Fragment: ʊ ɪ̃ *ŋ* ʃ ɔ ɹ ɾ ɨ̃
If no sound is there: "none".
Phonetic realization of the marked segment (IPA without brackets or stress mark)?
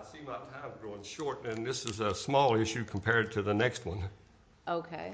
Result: ŋ